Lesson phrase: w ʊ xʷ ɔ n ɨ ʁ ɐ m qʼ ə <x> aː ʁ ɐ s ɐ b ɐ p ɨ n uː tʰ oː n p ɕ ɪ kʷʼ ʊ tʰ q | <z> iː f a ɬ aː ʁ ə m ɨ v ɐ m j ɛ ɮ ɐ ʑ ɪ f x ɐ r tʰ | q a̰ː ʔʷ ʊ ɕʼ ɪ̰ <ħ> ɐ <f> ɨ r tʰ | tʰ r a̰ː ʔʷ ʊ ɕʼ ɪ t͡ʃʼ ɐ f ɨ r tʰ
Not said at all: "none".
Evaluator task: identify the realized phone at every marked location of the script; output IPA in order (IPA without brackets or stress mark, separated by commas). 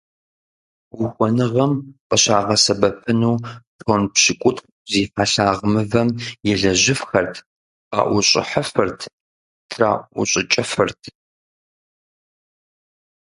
ɕ, z, ħ, f